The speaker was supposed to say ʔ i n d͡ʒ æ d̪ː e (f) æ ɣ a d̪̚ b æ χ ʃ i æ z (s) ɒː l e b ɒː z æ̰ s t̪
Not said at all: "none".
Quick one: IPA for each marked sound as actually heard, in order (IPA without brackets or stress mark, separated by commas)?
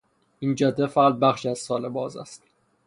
f, s